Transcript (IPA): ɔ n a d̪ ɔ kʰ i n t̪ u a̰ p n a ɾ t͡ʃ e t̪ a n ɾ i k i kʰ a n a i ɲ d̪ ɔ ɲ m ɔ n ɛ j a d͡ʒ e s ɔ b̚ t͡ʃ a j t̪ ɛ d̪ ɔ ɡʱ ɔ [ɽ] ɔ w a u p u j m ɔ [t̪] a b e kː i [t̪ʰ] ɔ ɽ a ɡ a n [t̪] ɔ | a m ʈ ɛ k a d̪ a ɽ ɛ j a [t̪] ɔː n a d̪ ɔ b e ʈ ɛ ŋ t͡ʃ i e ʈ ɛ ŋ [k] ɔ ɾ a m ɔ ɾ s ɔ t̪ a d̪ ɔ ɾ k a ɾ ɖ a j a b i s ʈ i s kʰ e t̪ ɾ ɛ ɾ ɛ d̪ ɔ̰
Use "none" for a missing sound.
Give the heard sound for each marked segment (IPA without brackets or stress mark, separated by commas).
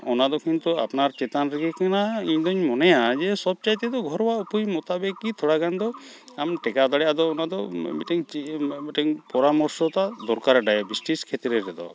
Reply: ɾ, t̪, t̪ʰ, d̪, d̪, p